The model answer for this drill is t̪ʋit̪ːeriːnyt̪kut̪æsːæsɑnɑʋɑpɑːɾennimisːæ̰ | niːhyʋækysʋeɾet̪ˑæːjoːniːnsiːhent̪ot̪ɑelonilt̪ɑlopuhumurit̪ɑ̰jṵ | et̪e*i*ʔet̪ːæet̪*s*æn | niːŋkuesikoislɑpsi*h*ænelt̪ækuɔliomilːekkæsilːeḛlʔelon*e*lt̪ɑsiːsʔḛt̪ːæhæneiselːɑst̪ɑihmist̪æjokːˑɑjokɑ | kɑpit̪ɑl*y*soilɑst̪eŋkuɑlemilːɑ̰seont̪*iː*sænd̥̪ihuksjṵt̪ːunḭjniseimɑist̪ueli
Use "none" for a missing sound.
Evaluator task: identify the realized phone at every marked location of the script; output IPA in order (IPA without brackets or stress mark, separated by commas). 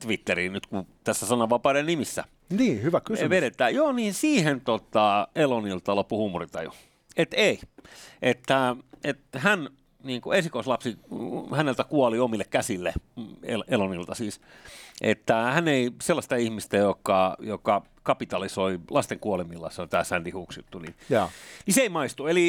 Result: i, h, h, i, i, æː